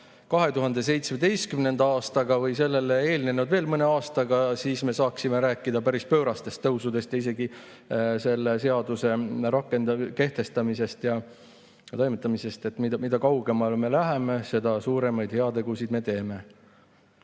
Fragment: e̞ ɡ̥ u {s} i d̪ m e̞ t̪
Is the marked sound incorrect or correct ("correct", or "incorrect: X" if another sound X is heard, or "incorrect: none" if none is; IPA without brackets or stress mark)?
correct